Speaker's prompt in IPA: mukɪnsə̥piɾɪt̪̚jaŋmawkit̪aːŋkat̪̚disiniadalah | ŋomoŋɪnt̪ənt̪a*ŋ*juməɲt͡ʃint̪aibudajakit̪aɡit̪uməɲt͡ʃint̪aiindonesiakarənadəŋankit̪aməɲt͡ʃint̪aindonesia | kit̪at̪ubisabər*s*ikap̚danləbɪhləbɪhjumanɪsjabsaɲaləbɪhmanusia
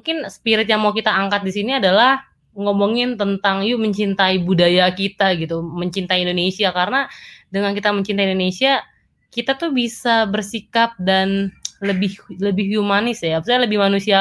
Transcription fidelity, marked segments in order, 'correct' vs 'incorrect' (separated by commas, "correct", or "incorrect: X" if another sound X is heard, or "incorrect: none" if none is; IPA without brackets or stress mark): correct, correct